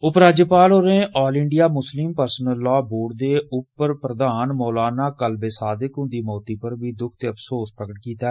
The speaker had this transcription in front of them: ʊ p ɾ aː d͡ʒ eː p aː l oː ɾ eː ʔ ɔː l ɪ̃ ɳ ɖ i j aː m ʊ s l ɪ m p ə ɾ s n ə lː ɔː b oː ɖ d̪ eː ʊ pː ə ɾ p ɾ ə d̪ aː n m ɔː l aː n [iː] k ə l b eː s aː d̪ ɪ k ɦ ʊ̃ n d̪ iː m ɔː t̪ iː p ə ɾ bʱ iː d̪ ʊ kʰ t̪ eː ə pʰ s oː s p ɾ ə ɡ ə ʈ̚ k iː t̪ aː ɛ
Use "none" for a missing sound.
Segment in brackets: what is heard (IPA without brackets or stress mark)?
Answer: aː